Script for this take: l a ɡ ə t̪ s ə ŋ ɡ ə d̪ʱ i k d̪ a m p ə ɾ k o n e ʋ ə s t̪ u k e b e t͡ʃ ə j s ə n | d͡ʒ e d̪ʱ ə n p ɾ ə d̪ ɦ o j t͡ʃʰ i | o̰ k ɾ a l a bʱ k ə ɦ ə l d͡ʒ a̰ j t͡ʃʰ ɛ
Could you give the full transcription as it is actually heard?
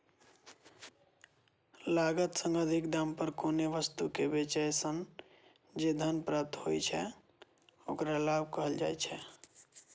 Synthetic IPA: l a ɡ ə t̪ s ə ŋ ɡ ə d̪ʱ i k d̪ a m p ə ɾ k o n e ʋ ə s t̪ u k e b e t͡ʃ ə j s ə n | d͡ʒ e d̪ʱ ə n p ɾ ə t̪ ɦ o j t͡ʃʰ ɛ | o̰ k ɾ a l a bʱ k ə ɦ ə l d͡ʒ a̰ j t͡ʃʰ ɛ